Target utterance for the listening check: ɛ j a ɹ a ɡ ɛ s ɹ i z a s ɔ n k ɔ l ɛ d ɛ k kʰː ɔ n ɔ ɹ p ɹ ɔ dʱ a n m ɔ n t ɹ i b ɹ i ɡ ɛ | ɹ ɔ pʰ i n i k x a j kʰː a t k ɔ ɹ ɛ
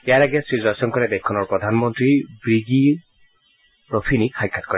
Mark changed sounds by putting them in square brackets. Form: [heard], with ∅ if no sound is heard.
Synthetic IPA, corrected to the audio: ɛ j a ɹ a ɡ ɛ s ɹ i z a s ɔ n k ɔ [ɹ] ɛ d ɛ k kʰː ɔ n ɔ ɹ p ɹ ɔ dʱ a n m ɔ n t ɹ i b ɹ i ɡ [i] | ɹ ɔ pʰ i n i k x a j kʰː a t k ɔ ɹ ɛ